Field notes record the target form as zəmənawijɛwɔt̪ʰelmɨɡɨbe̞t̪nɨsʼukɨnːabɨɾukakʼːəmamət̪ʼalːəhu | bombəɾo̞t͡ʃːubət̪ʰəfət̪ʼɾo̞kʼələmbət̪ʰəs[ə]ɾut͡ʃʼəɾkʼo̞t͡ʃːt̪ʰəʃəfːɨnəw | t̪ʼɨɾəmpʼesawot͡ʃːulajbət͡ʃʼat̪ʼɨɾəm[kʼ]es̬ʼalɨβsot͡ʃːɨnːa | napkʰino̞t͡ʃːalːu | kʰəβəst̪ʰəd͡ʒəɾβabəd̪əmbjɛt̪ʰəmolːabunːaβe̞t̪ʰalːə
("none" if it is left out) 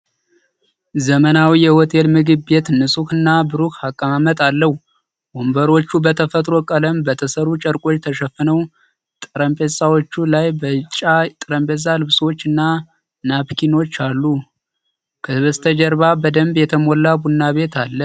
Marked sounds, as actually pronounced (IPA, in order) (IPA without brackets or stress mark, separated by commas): ə, pʼ